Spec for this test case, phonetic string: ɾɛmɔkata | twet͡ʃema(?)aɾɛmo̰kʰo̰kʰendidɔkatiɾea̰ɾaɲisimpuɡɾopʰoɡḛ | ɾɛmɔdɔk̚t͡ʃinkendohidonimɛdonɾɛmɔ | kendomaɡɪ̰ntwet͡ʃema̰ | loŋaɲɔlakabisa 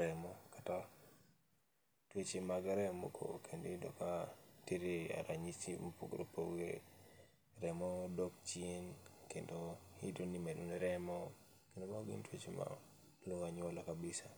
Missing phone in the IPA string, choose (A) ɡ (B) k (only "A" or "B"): A